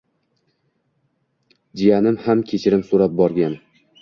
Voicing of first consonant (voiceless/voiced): voiced